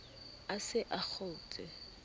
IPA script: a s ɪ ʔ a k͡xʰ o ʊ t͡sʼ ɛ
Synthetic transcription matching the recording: a s ɪ ʔ a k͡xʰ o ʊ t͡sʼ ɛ